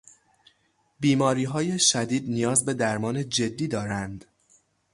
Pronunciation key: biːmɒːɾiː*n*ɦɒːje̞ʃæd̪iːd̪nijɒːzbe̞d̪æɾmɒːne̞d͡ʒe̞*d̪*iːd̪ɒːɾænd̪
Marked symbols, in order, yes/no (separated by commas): no, no